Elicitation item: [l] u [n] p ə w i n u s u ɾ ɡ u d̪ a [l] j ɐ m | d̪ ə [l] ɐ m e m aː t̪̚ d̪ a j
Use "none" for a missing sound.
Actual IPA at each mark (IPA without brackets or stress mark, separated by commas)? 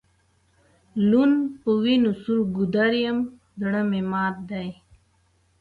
l, n, ɾ, ɽ